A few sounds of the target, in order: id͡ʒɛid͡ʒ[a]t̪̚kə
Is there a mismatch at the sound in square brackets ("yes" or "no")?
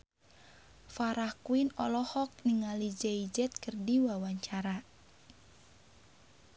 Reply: yes